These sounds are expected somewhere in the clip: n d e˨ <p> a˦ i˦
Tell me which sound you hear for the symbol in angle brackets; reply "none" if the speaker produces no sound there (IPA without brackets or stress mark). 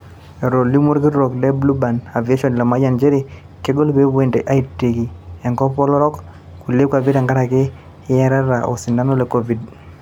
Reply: ʔ